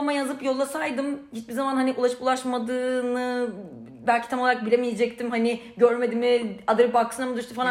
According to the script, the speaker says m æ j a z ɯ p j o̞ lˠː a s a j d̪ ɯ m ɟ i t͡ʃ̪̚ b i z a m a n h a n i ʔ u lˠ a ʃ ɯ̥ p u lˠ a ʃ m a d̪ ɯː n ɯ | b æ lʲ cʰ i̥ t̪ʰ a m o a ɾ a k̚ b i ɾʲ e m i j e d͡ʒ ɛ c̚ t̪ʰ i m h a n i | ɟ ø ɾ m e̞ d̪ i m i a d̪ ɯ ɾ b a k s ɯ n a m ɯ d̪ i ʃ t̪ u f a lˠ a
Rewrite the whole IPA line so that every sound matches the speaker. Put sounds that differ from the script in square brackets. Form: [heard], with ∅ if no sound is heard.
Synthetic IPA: m [a] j a z ɯ p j o̞ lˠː a s a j d̪ ɯ m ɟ i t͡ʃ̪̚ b i z a m a n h a n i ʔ u lˠ a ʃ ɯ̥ p u lˠ a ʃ m a d̪ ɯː n ɯ | b æ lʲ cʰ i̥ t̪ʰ a m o a ɾ a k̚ b i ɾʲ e m i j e d͡ʒ ɛ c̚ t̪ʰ i m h a n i | ɟ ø ɾ m e̞ d̪ i m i a d̪ ɯ ɾ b a k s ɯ n a m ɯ d̪ [y] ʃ t̪ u f a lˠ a